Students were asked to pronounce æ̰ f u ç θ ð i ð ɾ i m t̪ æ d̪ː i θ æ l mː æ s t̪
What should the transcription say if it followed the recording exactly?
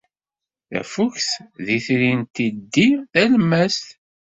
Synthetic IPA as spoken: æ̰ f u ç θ ð i θ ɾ i n t̪ i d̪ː i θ æ l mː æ s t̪